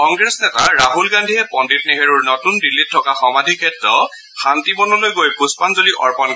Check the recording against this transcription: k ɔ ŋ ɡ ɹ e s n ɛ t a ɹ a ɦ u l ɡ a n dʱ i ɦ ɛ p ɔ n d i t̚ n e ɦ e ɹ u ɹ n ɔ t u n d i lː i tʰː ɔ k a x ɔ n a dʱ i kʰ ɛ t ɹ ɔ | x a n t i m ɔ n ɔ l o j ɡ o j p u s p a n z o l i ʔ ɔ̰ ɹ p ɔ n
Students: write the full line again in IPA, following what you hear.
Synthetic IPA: k ɔ ŋ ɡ ɹ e s n ɛ t a ɹ a ɦ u l ɡ a n dʱ i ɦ ɛ p ɔ n d i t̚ n e ɦ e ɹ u ɹ n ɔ t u n d i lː i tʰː ɔ k a x ɔ m a dʱ i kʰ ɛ t ɹ ɔ | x a n t i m ɔ n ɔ l o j ɡ o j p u s p a n z o l i ʔ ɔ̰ ɹ p ɔ n